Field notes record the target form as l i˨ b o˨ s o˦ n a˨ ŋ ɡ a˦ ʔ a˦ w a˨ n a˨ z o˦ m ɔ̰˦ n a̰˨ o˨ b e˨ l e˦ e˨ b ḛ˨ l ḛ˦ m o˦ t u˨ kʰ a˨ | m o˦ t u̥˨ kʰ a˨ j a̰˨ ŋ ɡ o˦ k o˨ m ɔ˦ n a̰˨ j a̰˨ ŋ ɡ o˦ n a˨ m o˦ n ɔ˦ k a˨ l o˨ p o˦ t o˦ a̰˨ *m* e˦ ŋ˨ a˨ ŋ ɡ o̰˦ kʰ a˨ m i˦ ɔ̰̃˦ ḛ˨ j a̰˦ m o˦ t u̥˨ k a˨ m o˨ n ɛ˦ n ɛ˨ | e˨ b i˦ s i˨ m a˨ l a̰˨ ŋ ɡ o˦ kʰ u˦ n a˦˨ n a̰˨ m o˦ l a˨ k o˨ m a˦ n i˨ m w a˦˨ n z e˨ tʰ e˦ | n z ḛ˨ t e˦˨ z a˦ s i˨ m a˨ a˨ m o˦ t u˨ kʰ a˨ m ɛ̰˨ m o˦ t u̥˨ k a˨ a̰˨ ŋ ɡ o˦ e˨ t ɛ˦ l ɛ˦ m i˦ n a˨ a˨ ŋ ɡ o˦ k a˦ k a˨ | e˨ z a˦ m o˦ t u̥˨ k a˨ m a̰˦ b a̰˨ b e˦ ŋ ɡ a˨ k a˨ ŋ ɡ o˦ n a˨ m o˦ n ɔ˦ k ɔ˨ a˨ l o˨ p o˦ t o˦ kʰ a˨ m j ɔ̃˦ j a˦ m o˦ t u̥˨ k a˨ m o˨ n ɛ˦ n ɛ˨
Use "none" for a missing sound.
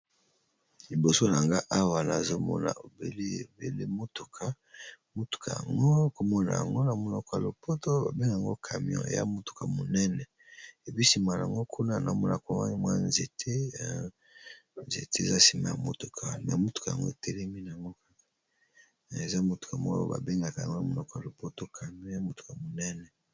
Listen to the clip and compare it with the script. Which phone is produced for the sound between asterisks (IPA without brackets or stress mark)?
b